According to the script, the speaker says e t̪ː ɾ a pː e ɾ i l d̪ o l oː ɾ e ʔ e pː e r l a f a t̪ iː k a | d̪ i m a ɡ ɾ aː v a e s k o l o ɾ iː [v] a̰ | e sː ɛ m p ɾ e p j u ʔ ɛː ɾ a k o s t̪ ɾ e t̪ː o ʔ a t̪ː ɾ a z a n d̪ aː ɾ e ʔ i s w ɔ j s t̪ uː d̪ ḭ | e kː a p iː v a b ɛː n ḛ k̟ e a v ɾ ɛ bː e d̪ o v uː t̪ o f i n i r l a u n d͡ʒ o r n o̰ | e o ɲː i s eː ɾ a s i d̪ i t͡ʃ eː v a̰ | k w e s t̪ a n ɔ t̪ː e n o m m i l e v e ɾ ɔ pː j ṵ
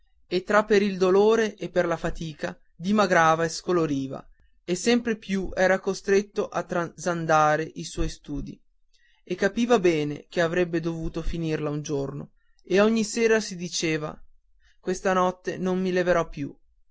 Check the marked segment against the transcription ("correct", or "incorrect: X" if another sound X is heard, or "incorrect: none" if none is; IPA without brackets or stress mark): correct